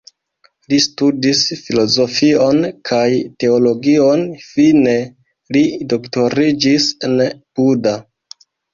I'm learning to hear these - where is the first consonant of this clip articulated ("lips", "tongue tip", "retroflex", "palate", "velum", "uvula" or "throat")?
tongue tip